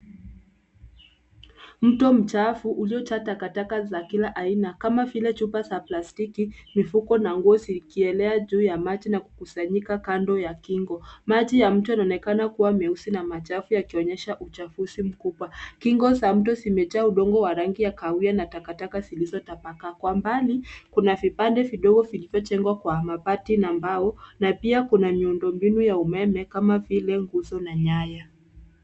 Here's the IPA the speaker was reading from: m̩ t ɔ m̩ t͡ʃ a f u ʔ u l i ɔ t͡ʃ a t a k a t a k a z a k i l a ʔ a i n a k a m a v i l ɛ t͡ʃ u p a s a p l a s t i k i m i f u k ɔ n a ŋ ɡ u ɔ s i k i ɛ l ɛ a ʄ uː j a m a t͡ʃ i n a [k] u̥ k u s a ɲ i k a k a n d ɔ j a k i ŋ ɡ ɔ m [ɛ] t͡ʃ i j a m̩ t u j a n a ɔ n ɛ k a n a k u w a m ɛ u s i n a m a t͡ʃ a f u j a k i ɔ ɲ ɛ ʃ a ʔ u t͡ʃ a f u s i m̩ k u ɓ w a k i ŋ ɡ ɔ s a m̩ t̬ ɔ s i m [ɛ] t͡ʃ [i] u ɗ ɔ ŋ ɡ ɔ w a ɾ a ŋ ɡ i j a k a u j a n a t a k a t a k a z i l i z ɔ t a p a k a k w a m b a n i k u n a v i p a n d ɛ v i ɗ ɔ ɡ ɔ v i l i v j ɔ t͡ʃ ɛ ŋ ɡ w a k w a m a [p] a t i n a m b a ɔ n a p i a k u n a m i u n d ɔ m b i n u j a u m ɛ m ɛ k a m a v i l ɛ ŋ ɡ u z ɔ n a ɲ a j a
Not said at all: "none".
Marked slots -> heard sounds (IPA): k, a, ɛ, a, p

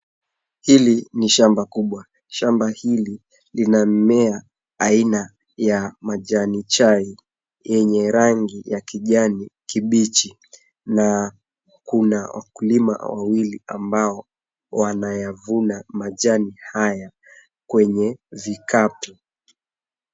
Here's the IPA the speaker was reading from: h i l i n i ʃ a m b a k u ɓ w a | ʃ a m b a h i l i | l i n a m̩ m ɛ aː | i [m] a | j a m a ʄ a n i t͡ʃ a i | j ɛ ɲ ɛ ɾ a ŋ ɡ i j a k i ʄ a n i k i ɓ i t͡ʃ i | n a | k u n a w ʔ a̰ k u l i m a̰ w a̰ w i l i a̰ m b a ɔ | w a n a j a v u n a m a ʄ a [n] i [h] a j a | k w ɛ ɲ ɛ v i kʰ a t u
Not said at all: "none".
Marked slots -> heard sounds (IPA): n, n, h

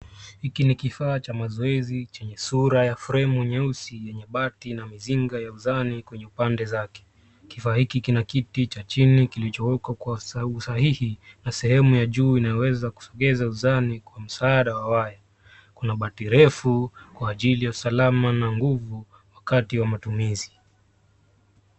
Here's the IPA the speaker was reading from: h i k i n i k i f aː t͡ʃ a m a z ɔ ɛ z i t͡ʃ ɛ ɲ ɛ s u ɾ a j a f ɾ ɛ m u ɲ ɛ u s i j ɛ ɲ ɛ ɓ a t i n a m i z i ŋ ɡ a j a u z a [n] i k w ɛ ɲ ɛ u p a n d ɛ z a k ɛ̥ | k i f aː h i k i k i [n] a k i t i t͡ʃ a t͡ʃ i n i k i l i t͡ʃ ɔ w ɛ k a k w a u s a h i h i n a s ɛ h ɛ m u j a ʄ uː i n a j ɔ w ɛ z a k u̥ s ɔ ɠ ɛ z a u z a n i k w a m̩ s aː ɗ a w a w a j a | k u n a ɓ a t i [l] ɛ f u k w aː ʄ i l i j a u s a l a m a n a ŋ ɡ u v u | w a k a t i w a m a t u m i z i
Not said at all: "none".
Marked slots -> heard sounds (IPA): n, n, ɾ

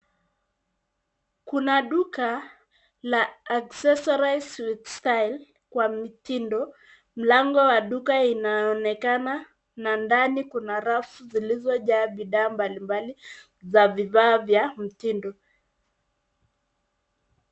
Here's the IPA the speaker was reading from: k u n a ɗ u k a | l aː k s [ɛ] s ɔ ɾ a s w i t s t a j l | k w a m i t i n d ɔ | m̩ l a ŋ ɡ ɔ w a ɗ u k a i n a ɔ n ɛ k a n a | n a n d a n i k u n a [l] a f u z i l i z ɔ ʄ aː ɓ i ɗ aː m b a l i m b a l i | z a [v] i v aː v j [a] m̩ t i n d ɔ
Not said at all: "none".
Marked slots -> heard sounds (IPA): ɛ, ɾ, v, a

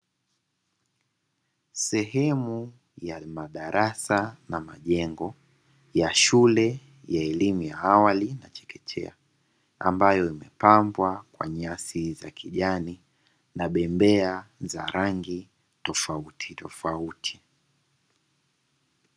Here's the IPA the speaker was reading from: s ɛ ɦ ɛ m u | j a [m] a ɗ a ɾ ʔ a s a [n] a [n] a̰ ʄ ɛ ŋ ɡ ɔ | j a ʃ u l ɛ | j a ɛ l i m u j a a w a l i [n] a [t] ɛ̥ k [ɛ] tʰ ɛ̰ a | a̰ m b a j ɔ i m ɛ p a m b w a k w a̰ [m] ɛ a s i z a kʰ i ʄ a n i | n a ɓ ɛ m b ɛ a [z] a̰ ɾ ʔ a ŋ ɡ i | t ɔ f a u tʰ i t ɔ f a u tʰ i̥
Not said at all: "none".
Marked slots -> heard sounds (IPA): m, n, m, n, t͡ʃ, ɛ, ɲ, z

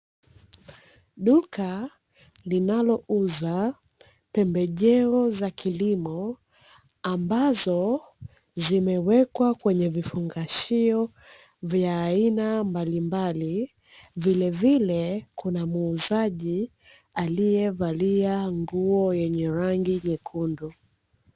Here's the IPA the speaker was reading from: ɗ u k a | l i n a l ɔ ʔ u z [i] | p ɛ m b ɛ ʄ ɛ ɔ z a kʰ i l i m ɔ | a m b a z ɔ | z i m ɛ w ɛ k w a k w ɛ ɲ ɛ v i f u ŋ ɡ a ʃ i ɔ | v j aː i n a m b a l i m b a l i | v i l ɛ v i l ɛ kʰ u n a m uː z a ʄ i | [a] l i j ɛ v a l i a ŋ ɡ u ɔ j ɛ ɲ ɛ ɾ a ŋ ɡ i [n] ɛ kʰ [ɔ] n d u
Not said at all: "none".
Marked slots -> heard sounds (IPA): a, a, ɲ, u

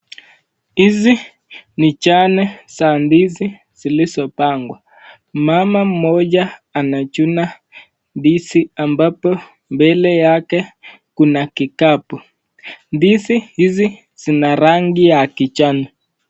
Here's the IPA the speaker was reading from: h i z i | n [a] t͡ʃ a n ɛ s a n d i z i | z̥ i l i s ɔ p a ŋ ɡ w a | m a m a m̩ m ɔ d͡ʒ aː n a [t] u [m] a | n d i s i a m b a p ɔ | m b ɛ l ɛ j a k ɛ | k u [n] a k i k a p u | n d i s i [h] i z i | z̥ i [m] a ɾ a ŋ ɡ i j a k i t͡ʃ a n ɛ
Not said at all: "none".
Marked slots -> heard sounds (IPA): i, t͡ʃ, n, n, h, n

